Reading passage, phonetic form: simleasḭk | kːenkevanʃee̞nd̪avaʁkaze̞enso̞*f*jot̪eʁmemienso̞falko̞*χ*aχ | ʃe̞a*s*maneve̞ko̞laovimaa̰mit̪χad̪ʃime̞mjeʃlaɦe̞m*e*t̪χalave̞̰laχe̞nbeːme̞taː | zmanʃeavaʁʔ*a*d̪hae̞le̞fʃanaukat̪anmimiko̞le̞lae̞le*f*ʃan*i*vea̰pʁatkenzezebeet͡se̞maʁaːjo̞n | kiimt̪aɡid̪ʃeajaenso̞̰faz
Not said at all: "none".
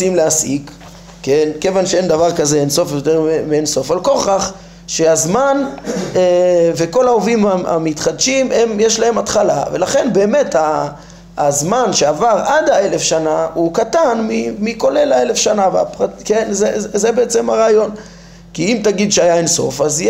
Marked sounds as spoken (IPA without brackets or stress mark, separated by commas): f, χ, z, a, a, f, a